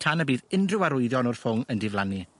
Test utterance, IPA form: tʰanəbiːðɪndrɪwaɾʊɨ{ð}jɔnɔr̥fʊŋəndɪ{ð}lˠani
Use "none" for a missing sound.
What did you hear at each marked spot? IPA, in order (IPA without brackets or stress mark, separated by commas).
ð, v